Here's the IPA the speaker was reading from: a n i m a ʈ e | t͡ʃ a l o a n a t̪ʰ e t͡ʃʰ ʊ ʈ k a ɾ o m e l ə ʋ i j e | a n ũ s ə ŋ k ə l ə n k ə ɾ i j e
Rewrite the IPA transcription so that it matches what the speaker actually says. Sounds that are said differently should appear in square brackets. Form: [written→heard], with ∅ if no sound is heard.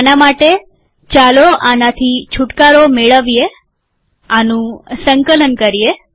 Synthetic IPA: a n [i→a] m a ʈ e | t͡ʃ a l o a n a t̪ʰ [e→i] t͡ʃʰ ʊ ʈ k a ɾ o m e [l→ɭ] ə ʋ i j e | a n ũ s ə ŋ k ə l ə n k ə ɾ i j e